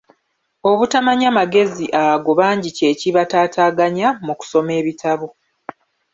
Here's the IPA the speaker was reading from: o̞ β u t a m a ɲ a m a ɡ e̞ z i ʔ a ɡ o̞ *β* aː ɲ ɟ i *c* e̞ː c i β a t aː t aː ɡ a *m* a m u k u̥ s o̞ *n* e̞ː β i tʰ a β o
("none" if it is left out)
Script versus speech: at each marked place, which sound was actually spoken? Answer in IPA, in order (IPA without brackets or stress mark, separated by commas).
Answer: β, c, ɲ, m